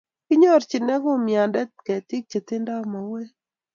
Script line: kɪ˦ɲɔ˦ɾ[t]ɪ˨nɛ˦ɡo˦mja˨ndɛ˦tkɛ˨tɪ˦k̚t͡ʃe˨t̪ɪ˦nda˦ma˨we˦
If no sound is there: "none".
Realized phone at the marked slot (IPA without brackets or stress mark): t͡ʃ